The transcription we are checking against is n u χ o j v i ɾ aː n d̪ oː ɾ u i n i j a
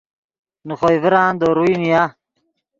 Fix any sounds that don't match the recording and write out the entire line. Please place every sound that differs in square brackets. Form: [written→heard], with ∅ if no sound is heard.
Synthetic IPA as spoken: n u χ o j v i ɾ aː n d̪ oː ɾ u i n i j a